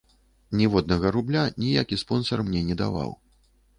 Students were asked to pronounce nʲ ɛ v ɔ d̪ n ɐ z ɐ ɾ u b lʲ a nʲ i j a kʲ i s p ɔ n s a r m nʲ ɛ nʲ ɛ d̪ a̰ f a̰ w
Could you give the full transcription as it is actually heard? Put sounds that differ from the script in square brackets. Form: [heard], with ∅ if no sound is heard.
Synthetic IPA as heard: nʲ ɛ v ɔ d̪ n ɐ [ɣ] ɐ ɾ u b lʲ a nʲ i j a kʲ i s p ɔ n s [ɐ] r m nʲ ɛ nʲ ɛ d̪ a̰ [v] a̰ w